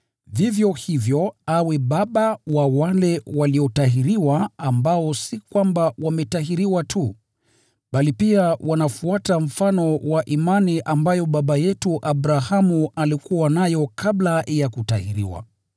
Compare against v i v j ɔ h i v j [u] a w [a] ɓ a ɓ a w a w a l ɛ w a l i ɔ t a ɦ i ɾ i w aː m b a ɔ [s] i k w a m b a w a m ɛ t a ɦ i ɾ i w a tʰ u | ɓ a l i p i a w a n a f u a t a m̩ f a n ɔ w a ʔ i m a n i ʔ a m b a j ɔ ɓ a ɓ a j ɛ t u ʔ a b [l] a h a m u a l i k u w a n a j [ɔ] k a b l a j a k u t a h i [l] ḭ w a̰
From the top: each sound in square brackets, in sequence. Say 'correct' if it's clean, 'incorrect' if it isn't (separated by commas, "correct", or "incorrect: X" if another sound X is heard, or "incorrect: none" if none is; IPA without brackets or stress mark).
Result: incorrect: ɔ, incorrect: ɛ, correct, incorrect: ɾ, correct, incorrect: ɾ